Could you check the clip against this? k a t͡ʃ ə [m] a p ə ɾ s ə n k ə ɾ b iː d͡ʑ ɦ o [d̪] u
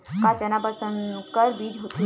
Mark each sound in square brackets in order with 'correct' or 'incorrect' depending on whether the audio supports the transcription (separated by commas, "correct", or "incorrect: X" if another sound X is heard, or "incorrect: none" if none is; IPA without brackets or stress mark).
incorrect: n, incorrect: t̪